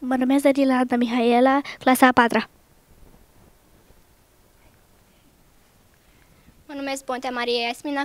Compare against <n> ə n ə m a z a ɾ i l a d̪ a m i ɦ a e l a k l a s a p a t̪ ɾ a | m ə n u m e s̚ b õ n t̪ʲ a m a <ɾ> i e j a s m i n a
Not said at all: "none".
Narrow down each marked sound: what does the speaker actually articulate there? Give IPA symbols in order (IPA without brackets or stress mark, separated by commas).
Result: m, ɾ